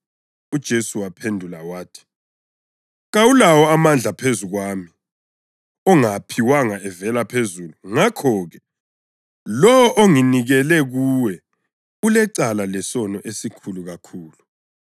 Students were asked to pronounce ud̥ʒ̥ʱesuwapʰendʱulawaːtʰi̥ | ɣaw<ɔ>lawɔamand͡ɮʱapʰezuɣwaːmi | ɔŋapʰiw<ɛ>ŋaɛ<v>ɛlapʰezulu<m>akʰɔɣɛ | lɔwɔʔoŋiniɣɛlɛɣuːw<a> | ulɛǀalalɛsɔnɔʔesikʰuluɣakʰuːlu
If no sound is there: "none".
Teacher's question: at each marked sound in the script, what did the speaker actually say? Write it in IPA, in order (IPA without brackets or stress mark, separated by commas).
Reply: u, a, v, ŋ, ɛ